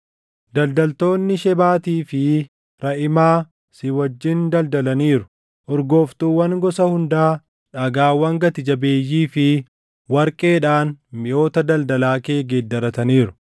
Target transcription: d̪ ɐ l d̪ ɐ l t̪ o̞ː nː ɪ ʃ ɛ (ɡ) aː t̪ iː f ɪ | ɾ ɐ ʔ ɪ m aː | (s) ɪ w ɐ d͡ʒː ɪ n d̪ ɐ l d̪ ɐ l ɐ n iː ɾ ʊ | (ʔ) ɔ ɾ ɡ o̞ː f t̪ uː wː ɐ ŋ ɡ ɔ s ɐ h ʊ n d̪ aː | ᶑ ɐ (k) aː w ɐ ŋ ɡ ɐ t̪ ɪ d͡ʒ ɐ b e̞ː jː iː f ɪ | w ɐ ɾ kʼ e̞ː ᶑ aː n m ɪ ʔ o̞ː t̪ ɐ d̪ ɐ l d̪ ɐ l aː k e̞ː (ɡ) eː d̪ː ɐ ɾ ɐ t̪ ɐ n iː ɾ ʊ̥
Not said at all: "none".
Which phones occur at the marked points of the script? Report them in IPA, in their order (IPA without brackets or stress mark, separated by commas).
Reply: b, s, ʔ, ɡ, ɡ